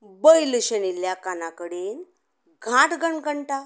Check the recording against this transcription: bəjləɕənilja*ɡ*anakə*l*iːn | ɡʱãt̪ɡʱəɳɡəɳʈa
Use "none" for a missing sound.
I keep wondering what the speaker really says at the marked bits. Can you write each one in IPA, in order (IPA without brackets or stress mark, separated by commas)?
k, ɽ